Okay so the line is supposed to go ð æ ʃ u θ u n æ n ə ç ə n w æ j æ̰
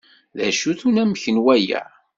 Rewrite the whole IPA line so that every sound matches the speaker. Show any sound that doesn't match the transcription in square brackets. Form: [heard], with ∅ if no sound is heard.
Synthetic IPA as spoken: ð æ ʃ u θ u n æ [m] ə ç ə n w æ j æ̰